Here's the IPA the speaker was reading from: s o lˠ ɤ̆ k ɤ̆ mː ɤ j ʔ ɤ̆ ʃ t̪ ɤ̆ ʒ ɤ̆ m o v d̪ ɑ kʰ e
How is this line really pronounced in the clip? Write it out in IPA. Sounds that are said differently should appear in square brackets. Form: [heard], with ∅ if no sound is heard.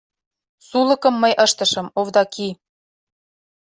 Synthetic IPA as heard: s [u] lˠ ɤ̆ k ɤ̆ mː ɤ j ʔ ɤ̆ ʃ t̪ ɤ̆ [ʃ] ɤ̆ m o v d̪ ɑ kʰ [i]